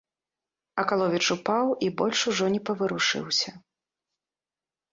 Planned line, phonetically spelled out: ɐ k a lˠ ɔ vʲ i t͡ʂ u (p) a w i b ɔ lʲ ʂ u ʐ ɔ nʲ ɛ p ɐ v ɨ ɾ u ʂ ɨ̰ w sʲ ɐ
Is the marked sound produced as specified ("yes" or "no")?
yes